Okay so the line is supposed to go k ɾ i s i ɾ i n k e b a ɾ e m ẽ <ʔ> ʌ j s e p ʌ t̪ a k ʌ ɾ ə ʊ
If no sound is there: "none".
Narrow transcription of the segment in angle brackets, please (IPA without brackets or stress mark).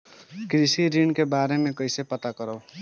k